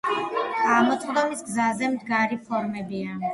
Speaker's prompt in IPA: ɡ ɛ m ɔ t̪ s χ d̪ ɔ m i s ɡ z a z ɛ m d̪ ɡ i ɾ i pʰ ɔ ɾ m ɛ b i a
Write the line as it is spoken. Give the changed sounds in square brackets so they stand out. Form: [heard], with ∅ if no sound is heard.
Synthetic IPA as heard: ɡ [a] m ɔ t̪ s χ d̪ ɔ m i s ɡ z a z ɛ m d̪ ɡ [a] ɾ i pʰ ɔ ɾ m ɛ b i a